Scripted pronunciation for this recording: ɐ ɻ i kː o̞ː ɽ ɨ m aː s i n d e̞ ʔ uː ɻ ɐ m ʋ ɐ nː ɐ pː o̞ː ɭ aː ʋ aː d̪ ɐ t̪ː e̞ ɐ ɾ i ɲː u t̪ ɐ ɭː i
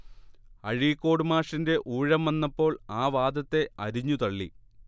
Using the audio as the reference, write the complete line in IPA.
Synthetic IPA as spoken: ɐ ɻ i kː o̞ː ɽ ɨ m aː ʂ i n d e̞ ʔ uː ɻ ɐ m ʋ ɐ nː ɐ pː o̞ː ɭ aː ʋ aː d̪ ɐ t̪ː e̞ ɐ ɾ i ɲː u t̪ ɐ ɭː i